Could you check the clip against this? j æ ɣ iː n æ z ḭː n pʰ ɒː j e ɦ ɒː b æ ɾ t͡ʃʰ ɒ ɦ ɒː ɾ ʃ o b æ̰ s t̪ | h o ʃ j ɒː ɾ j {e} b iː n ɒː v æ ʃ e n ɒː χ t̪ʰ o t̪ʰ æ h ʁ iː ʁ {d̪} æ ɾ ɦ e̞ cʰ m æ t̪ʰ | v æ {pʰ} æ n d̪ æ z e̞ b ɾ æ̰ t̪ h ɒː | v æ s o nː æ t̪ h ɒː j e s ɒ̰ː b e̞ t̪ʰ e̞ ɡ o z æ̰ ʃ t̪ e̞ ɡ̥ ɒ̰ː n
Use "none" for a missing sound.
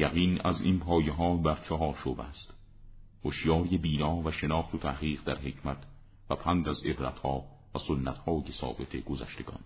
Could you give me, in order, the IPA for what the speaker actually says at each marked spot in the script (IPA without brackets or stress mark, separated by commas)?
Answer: e, d̪, pʰ